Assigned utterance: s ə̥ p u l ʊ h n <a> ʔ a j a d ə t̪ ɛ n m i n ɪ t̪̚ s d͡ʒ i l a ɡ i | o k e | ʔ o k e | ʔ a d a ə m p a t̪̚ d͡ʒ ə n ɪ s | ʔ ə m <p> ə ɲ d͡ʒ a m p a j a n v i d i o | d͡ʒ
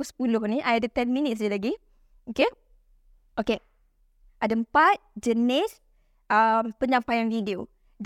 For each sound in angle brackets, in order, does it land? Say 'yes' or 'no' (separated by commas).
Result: no, yes